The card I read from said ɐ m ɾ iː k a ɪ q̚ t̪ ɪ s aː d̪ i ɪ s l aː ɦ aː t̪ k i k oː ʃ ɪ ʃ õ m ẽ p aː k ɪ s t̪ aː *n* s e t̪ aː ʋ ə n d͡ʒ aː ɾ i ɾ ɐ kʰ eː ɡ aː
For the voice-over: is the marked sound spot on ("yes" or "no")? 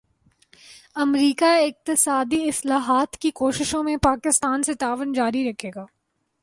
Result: yes